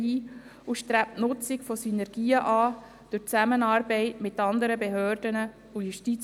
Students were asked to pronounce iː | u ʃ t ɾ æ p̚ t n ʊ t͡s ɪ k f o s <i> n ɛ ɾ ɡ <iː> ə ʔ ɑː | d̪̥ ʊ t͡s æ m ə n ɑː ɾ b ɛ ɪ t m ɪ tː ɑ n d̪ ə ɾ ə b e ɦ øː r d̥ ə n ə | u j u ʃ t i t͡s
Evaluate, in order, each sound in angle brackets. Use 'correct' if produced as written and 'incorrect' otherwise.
incorrect: y, correct

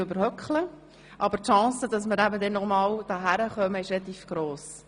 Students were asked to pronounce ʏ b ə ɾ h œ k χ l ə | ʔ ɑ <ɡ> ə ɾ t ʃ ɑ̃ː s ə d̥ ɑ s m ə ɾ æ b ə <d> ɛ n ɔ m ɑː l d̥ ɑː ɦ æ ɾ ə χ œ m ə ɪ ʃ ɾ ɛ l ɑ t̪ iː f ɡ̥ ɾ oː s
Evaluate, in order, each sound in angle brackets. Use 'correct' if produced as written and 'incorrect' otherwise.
incorrect: b, correct

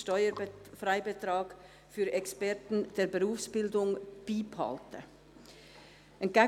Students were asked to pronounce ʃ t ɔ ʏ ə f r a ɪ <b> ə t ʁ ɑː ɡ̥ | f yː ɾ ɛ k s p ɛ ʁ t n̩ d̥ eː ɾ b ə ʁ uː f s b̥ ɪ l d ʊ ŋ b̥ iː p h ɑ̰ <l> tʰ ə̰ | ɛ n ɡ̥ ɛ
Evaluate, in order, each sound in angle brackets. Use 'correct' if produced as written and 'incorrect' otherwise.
correct, correct

